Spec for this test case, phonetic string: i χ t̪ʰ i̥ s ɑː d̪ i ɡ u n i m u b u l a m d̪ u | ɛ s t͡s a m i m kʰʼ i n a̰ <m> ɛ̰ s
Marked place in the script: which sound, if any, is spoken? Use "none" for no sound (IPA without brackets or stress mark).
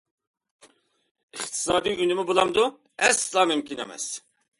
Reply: m